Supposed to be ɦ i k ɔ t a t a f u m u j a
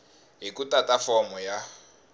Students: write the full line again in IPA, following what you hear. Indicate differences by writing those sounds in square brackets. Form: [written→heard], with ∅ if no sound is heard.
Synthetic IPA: ɦ i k [ɔ→u] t a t a f [u→ɔ] m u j a